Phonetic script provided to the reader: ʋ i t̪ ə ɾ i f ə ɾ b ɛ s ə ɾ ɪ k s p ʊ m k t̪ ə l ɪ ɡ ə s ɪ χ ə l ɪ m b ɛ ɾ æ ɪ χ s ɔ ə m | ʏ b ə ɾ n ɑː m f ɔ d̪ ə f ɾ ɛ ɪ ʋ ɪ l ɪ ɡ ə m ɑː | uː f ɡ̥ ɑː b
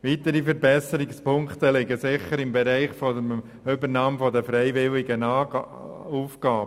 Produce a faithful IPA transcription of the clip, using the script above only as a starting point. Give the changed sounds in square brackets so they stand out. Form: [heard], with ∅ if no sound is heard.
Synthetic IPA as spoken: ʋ i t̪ ə ɾ i f ə ɾ b ɛ s ə ɾ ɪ k s p ʊ [ŋ] k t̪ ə l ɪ ɡ ə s ɪ χ ə [ɾ] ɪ m b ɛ ɾ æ ɪ χ [f] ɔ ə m | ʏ b ə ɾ n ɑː m f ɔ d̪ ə f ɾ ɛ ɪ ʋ ɪ l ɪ ɡ ə [n] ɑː | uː f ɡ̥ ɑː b